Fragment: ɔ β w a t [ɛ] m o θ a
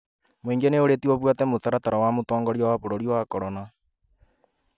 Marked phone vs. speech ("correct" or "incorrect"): correct